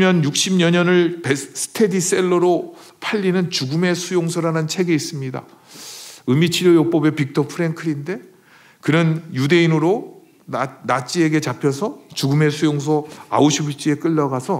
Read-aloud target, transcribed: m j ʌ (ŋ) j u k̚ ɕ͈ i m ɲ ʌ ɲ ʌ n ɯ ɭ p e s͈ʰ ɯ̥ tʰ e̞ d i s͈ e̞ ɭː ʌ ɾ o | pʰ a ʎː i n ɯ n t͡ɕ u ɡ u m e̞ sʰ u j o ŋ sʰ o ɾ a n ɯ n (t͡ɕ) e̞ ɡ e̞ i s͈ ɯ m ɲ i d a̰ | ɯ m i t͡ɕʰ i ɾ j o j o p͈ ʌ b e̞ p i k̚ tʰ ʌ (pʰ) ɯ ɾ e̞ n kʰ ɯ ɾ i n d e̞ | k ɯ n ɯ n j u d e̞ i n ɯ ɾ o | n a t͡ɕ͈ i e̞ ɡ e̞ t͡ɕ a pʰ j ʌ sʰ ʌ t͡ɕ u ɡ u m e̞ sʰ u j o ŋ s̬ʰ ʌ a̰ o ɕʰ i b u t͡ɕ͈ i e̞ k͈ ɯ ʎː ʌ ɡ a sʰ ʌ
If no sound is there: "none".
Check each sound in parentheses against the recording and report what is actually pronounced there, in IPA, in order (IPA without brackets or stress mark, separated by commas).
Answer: n, t͡ɕʰ, pʰ